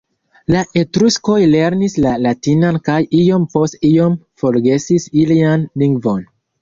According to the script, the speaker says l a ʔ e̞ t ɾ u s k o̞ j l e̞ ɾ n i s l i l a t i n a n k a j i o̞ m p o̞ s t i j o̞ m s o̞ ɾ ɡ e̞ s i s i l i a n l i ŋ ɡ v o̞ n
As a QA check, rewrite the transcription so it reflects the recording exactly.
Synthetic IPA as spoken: l a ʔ e̞ t ɾ u s k o̞ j l e̞ ɾ n i s l a l a t i n a n k a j i o̞ m p o̞ s t i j o̞ m f o̞ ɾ ɡ e̞ s i s i l i a n l i ŋ ɡ v o̞ n